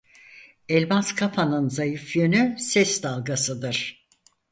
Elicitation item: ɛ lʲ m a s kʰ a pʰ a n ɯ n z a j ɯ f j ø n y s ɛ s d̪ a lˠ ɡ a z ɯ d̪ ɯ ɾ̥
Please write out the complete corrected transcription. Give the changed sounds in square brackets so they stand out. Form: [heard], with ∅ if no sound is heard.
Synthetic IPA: ɛ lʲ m a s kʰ a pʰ a n ɯ n z a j ɯ f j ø n y s ɛ s d̪ a lˠ ɡ a [s] ɯ d̪ ɯ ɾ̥

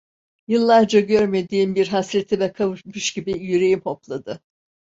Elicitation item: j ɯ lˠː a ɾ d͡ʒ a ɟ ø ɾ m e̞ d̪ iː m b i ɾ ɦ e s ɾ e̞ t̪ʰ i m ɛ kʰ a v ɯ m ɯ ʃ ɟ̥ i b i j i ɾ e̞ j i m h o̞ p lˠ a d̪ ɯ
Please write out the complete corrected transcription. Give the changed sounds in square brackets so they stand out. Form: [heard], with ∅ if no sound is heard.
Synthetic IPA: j ɯ lˠː a ɾ d͡ʒ a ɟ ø ɾ m e̞ d̪ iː m b i ɾ ɦ [a] s ɾ e̞ t̪ʰ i m ɛ kʰ a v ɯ m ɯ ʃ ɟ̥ i b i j [y] ɾ e̞ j i m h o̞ p lˠ a d̪ ɯ

